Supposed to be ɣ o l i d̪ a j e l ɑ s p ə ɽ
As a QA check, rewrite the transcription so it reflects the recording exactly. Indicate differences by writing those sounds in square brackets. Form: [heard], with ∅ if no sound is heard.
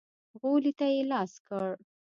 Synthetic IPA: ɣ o l i [t̪] a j e l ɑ s [k] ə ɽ